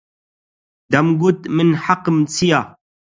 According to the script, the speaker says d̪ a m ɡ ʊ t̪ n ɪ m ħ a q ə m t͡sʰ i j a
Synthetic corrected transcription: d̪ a m ɡ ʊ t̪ m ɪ n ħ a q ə m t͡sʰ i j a